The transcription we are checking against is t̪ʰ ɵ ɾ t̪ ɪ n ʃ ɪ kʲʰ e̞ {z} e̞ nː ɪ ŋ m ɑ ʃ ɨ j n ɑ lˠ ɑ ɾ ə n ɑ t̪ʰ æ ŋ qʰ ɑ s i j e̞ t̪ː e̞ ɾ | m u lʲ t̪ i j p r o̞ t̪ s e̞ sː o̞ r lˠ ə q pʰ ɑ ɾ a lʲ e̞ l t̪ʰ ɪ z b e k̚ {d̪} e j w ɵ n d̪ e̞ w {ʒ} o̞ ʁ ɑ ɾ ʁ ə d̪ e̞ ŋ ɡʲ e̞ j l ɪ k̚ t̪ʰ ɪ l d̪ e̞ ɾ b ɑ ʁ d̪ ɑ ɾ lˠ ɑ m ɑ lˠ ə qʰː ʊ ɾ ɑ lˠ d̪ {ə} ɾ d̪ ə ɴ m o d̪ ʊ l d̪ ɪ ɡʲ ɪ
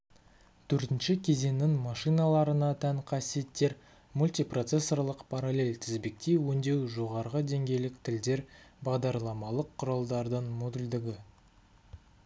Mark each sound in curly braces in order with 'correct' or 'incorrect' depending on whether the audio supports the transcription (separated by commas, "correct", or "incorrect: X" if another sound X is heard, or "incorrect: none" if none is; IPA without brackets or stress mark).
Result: correct, incorrect: t̪, correct, incorrect: ɑ